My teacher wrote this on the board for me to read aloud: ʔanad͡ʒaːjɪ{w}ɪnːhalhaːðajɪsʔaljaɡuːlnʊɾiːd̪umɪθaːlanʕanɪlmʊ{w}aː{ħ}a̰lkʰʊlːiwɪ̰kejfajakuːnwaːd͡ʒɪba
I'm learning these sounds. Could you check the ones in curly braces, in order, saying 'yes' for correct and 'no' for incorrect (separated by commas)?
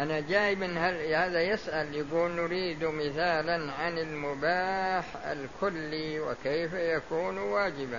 no, no, yes